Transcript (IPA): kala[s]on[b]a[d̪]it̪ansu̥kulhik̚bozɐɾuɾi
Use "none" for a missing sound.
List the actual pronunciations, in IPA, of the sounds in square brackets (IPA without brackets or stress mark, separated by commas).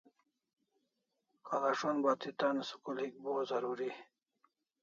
ʂ, b, t̪